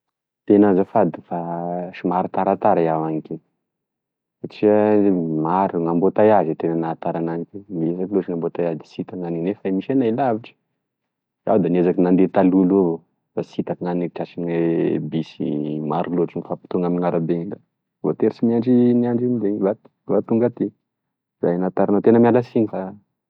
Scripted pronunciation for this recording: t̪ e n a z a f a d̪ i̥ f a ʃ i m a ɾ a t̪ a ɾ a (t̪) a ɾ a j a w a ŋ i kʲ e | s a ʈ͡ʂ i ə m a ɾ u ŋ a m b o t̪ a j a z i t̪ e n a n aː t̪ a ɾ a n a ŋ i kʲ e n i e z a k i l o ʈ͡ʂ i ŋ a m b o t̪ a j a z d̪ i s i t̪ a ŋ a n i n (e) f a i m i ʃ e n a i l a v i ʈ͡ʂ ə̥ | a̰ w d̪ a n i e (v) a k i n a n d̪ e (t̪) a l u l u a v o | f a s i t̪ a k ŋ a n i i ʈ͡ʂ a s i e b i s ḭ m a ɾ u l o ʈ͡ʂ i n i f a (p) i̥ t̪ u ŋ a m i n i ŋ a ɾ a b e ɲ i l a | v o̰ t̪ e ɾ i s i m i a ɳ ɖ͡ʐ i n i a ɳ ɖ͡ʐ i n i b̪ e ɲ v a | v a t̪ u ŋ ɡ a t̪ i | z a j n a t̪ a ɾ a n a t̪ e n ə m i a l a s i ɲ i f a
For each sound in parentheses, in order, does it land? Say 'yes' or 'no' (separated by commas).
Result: yes, yes, no, yes, yes